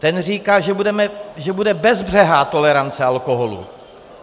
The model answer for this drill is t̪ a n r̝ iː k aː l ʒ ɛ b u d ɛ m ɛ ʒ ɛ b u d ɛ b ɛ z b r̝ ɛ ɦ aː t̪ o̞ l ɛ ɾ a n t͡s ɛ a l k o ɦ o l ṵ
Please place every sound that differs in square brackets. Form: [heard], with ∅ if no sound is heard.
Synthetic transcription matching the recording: t̪ [ɛ] n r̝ iː k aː [∅] ʒ ɛ b u d ɛ m ɛ ʒ ɛ b u d ɛ b ɛ z b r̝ ɛ ɦ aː t̪ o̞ l ɛ ɾ a n t͡s ɛ a l k o ɦ o l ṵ